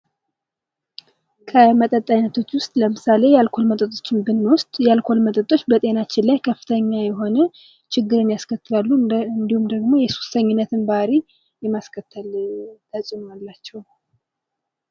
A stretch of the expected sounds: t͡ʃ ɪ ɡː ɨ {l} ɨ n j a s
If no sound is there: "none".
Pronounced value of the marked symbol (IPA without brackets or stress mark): ɾ